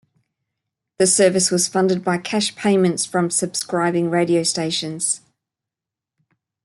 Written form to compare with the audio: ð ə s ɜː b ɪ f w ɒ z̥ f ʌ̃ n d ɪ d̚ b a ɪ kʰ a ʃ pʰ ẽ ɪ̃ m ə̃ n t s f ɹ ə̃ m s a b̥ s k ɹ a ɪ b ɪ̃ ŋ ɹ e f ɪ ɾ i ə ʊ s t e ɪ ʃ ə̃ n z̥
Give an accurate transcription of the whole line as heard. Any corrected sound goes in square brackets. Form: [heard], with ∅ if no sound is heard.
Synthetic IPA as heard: ð ə s ɜː [v] ɪ [s] w ɒ z̥ f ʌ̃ n d ɪ d̚ b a ɪ kʰ a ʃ pʰ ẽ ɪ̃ m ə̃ n t s f ɹ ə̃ m s [ə] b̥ s k ɹ a ɪ b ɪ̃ ŋ ɹ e [∅] ɪ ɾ i ə ʊ s t e ɪ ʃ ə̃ n z̥